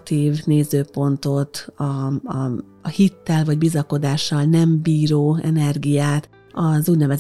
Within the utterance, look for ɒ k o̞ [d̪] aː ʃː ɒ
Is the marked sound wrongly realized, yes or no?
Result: no